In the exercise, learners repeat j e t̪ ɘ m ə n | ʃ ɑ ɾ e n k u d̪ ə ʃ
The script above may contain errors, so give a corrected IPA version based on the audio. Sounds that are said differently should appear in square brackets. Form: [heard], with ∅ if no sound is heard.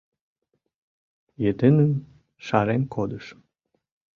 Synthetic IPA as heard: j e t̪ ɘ [n] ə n | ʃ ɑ ɾ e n k [o] d̪ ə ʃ